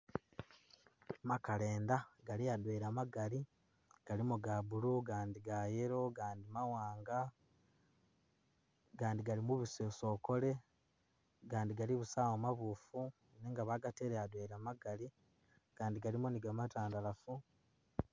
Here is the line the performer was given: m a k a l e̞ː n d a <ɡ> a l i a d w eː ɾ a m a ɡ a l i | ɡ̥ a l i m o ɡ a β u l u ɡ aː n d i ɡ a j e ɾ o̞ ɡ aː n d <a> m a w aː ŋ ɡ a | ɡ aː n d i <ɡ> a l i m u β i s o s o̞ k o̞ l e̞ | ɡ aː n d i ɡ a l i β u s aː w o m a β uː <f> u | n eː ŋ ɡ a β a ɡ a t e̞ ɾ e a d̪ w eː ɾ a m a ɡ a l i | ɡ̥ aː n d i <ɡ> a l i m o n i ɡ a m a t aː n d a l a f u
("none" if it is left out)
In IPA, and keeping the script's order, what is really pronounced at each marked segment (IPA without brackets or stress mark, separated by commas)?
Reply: ɡ, i, ɡ, f, ɡ